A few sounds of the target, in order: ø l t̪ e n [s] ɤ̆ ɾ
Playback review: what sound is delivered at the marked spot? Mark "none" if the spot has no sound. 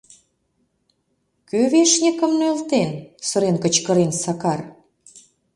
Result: s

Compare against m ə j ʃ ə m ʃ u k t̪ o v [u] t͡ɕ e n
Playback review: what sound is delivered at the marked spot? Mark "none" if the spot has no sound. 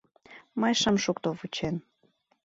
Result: u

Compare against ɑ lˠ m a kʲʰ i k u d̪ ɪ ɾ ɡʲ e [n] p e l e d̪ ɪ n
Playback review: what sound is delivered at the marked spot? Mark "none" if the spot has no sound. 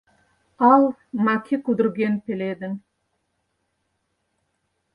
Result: n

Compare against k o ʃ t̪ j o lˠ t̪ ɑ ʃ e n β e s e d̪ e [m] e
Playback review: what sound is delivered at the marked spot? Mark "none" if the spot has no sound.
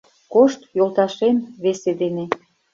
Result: n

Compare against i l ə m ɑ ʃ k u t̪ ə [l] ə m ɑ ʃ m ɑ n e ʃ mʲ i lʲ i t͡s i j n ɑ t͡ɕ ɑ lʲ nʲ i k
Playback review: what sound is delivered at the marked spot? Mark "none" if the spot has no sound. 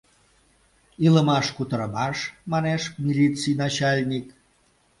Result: ɾ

